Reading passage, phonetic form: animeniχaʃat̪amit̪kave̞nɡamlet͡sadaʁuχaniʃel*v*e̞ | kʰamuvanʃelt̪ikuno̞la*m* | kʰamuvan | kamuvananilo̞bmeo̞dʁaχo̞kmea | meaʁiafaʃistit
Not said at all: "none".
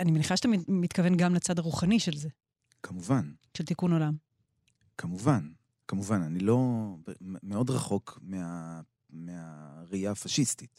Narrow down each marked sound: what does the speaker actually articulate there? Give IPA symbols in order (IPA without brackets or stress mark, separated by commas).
z, m